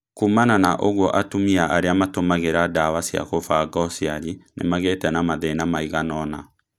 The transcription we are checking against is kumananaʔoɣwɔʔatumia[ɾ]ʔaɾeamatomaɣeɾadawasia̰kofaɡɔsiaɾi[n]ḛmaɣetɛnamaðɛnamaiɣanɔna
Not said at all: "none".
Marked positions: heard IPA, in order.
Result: none, n

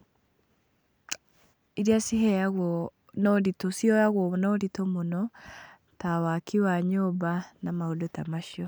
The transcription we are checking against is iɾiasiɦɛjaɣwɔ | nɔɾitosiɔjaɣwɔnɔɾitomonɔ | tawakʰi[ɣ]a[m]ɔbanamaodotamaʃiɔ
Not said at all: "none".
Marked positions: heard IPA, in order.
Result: w, ɲ

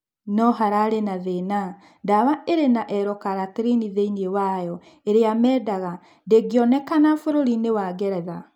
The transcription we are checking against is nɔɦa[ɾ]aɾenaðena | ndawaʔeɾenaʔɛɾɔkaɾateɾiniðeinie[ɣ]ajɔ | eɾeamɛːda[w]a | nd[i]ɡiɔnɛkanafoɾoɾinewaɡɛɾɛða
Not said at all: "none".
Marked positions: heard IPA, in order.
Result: ɾ, w, ɣ, e

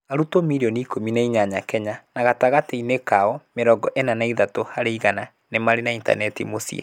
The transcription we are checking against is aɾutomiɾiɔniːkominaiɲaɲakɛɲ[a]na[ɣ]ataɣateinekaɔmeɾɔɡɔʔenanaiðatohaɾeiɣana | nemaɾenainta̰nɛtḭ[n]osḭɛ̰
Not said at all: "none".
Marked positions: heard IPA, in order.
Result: a, ɣ, m

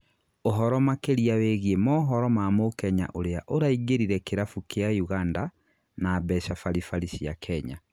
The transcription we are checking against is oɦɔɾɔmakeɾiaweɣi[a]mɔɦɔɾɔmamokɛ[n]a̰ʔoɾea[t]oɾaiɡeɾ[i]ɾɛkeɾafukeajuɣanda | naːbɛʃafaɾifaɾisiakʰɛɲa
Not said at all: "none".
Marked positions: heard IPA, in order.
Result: e, ɲ, ʔ, i

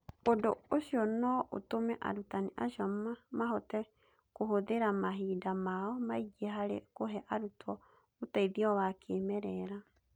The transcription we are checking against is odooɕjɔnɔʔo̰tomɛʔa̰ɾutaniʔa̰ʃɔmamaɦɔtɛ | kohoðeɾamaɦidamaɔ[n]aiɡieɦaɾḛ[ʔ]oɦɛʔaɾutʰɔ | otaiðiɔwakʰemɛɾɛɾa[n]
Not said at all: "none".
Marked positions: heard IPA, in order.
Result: m, k, none

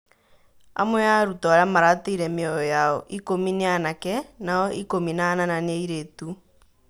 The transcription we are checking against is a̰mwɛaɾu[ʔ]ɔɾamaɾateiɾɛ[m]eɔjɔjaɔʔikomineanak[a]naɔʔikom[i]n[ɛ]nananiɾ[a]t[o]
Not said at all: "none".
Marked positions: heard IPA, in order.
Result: t, m, ɛ, i, a, e, u

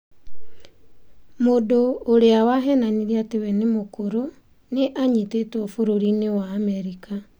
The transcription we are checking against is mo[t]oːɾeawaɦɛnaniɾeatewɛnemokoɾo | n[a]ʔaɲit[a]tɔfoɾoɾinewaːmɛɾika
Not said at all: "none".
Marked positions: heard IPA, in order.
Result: d, e, e

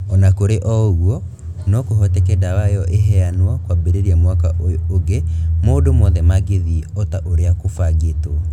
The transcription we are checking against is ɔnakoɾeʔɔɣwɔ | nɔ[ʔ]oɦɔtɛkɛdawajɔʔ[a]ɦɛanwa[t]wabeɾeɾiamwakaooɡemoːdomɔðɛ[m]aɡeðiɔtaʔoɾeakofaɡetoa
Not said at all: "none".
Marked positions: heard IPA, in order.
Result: k, e, k, m

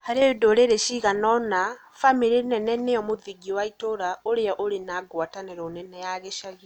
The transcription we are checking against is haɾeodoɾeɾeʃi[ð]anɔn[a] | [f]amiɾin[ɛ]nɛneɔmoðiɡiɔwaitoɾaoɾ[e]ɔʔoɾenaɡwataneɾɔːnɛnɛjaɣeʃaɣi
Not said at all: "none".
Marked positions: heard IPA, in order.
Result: ɣ, a, f, ɛ, e

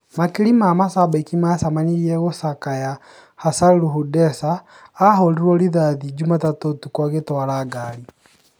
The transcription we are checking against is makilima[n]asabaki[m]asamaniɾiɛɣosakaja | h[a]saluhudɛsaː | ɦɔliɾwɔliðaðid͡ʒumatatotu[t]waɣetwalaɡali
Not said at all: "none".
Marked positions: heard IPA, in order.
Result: m, m, a, k

